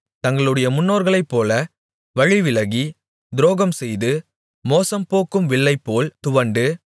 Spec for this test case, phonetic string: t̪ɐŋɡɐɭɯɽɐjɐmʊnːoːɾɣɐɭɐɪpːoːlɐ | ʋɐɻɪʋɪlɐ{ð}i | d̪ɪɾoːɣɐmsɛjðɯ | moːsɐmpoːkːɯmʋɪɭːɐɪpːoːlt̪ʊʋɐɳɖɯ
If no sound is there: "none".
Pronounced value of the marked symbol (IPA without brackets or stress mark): ɣ